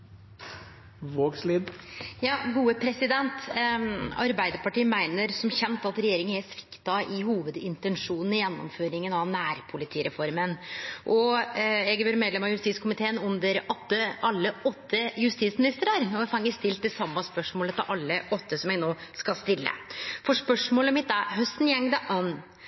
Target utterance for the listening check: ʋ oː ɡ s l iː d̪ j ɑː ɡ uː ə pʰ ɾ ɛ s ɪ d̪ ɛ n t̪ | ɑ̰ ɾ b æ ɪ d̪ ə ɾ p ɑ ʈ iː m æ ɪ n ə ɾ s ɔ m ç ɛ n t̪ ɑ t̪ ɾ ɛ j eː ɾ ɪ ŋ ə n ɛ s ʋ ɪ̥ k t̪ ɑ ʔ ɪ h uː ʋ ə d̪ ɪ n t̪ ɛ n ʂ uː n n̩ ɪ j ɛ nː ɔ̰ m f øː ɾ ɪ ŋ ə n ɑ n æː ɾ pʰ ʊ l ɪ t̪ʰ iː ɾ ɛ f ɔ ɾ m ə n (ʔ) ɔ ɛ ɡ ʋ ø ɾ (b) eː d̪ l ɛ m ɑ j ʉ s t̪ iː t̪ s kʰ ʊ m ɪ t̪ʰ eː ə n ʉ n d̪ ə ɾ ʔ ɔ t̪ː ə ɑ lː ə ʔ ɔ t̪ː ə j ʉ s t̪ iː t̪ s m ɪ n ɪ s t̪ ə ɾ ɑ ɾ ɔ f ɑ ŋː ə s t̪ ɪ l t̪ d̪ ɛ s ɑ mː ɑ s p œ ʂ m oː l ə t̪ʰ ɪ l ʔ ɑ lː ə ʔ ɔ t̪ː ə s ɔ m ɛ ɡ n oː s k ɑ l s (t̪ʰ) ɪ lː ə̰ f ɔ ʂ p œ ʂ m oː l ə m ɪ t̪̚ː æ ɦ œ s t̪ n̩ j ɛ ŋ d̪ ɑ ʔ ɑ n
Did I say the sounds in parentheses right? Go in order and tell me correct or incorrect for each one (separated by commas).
correct, incorrect, incorrect